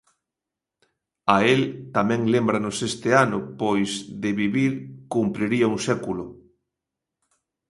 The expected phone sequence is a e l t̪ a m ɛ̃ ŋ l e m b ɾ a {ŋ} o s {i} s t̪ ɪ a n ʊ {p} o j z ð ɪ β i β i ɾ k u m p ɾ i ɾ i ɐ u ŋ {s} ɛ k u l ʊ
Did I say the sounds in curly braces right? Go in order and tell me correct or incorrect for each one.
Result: incorrect: n, incorrect: e, correct, correct

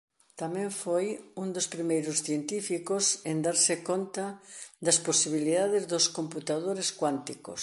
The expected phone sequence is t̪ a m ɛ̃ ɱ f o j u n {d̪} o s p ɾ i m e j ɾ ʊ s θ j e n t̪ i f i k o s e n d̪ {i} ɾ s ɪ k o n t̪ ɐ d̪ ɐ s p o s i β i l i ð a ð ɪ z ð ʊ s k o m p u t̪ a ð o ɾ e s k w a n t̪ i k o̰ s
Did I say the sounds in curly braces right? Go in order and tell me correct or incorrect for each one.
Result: correct, incorrect: a

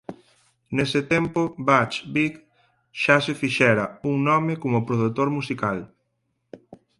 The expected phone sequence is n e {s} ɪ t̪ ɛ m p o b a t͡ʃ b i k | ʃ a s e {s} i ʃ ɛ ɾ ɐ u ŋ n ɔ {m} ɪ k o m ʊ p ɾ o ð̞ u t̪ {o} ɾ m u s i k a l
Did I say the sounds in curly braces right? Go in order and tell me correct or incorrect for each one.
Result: correct, incorrect: f, correct, correct

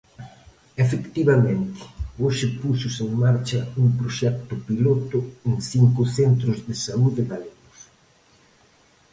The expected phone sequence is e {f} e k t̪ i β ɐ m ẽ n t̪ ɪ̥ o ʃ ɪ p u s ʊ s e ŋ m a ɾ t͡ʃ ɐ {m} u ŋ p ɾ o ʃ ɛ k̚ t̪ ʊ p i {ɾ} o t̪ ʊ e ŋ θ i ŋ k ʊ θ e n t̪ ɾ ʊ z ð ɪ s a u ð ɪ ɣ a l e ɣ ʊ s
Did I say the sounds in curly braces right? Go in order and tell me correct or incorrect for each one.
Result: correct, incorrect: none, incorrect: l

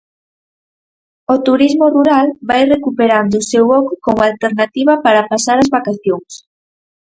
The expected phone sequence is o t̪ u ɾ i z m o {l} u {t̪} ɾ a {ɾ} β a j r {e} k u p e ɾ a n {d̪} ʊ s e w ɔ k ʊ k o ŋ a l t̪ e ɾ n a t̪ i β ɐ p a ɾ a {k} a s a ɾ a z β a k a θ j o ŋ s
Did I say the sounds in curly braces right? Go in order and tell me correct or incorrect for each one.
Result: incorrect: r, incorrect: none, incorrect: l, correct, correct, incorrect: p

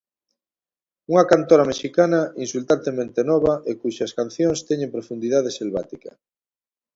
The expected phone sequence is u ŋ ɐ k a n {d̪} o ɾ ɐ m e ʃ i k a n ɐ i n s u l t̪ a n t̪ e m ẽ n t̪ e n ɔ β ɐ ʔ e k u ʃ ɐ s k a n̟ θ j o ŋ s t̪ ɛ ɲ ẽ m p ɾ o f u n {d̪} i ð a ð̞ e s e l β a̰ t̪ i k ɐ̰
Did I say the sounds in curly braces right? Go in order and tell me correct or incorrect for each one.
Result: incorrect: t̪, correct

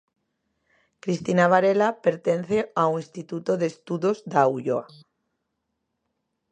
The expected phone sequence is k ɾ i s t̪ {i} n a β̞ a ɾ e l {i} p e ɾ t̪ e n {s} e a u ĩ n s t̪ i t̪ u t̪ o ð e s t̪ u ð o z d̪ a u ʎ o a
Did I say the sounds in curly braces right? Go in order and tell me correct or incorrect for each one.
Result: correct, incorrect: a, incorrect: θ

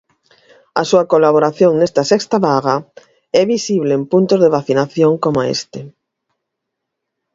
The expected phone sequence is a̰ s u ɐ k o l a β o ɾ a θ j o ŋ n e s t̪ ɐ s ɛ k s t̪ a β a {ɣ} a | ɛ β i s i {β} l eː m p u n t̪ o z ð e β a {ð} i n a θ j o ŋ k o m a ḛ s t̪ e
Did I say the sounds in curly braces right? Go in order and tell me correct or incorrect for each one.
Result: correct, correct, incorrect: θ

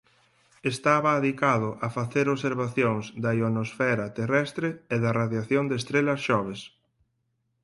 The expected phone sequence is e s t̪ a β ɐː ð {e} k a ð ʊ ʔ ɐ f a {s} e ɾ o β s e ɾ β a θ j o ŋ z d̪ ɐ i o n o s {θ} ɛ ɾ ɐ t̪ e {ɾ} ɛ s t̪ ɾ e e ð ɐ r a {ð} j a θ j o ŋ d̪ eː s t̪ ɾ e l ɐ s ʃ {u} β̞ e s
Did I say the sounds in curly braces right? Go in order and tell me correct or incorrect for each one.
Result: incorrect: i, incorrect: θ, incorrect: f, incorrect: r, correct, incorrect: ɔ

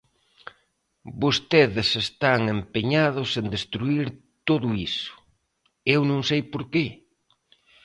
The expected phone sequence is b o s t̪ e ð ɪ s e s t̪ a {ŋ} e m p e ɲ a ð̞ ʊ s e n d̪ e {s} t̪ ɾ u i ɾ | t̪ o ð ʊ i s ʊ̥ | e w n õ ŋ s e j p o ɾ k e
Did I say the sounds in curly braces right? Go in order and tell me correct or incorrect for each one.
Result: correct, correct

